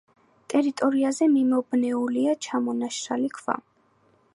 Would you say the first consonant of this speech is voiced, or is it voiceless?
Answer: voiceless